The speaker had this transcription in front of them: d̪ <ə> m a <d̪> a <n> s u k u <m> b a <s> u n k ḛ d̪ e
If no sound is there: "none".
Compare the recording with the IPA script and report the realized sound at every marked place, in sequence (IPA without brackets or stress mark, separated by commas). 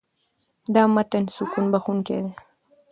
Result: ɑ, t̪, n, n, x